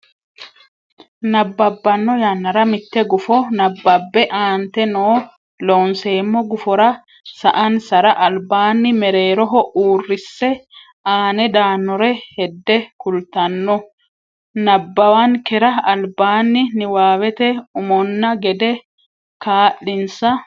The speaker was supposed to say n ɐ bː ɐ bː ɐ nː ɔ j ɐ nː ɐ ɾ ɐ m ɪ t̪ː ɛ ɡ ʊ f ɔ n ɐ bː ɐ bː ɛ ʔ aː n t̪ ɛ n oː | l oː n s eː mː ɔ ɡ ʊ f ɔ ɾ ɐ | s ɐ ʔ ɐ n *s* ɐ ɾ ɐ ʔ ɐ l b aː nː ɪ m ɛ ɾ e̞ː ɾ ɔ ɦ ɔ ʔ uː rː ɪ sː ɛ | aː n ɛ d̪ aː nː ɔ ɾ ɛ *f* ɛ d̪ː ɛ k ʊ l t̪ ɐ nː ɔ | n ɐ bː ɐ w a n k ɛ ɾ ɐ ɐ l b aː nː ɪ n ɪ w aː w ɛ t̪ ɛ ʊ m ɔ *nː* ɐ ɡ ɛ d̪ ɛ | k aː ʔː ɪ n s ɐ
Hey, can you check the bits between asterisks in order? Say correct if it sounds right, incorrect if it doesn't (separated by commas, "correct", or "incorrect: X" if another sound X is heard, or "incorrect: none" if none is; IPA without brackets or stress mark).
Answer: correct, incorrect: h, correct